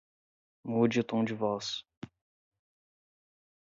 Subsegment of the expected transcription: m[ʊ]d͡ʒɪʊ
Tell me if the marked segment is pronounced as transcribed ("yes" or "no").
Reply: no